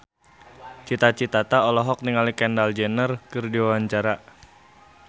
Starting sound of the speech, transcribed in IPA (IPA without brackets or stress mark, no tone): t͡ʃ